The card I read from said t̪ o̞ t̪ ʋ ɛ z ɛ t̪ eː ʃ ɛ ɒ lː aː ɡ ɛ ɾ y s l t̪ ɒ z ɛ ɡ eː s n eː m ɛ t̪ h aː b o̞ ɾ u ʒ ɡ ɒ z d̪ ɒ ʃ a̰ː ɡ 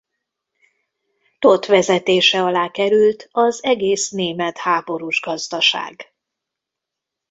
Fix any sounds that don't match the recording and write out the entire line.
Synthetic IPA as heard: t̪ o̞ t̪ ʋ ɛ z ɛ t̪ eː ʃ ɛ ɒ l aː k ɛ ɾ y l t̪ ɒ z ɛ ɡ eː s n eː m ɛ t̪ h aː b o̞ ɾ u ʒ ɡ ɒ z d̪ ɒ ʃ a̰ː ɡ